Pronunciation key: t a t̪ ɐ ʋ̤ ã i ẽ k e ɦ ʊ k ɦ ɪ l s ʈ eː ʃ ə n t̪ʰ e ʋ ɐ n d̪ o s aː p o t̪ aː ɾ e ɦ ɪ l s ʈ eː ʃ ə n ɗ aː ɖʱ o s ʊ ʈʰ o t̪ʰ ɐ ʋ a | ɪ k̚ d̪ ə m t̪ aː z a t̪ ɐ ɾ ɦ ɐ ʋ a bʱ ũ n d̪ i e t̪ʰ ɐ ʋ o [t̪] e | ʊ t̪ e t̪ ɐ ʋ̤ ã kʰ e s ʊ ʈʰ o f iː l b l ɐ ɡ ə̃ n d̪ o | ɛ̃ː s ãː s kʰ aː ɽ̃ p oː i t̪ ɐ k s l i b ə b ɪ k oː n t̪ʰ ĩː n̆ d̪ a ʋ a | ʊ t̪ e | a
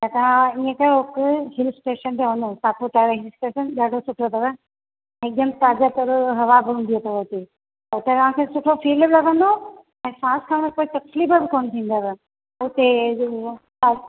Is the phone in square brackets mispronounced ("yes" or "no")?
no